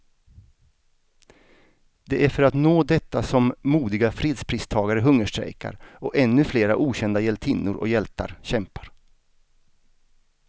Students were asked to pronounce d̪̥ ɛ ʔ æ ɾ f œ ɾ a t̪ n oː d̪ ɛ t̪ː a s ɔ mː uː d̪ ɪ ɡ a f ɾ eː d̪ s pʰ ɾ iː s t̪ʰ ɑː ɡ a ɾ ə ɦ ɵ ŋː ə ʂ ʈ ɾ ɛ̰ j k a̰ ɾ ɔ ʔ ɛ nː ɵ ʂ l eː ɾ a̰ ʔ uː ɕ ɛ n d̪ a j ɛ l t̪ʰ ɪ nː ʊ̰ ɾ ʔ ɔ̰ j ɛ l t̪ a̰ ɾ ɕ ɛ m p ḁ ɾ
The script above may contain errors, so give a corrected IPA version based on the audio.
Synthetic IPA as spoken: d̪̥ ɛ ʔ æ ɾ f œ ɾ a t̪ n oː d̪ ɛ t̪ː a s ɔ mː uː d̪ ɪ ɡ a f ɾ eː d̪ s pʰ ɾ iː s t̪ʰ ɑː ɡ a ɾ ə ɦ ɵ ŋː ə ʂ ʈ ɾ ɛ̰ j k a̰ ɾ ɔ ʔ ɛ nː ɵ f l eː ɾ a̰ ʔ uː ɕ ɛ n d̪ a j ɛ l t̪ʰ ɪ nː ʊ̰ ɾ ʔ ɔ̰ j ɛ l t̪ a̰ ɾ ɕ ɛ m p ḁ ɾ